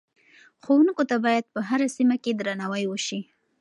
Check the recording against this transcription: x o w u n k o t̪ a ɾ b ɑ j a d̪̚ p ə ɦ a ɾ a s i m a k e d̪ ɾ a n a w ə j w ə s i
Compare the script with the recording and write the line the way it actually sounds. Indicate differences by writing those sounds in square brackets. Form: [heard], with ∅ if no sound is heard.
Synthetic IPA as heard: x o w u n k o t̪ a [∅] b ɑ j a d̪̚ p ə ɦ a ɾ a s i m a k e d̪ ɾ a n a w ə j w ə [ʃ] i